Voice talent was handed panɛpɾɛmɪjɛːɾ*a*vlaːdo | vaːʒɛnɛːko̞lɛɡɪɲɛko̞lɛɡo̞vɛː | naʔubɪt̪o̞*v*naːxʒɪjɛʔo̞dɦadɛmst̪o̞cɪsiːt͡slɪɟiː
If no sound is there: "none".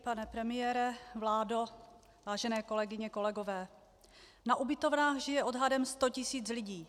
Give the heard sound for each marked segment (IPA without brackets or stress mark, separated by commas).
ɛ, v